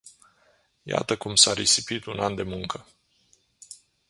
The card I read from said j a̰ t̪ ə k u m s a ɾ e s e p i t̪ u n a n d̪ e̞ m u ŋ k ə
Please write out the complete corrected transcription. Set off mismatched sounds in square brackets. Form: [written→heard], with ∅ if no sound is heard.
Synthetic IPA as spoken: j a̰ t̪ ə k u m s a ɾ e s [e→i] p i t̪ u n a n d̪ e̞ m u ŋ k ə